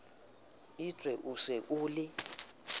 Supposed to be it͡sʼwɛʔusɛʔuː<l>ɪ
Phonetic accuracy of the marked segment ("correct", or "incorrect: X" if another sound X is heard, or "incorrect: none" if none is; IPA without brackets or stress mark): correct